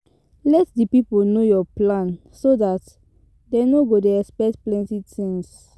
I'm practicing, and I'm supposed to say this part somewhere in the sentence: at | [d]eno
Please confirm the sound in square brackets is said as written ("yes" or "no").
yes